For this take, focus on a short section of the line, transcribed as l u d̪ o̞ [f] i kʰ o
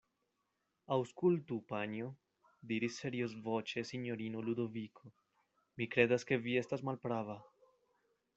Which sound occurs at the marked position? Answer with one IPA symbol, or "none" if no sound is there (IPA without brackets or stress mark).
v